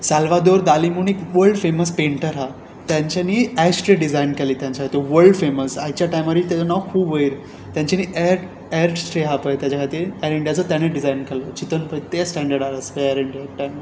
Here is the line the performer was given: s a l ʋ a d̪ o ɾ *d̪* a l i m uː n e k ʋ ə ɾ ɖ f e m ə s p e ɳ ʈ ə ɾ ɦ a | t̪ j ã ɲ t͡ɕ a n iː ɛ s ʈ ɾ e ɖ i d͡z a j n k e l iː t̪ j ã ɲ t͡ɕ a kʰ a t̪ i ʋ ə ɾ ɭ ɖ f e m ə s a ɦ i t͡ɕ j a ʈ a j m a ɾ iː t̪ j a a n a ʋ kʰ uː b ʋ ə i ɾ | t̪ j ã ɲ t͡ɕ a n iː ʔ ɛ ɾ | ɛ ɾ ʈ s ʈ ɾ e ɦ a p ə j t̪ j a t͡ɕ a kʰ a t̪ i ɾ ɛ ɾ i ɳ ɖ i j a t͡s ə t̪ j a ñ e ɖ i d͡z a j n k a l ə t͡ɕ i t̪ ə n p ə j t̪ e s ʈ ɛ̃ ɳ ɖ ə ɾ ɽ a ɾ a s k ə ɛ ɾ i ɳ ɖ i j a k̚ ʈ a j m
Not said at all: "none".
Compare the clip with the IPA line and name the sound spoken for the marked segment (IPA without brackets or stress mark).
d̪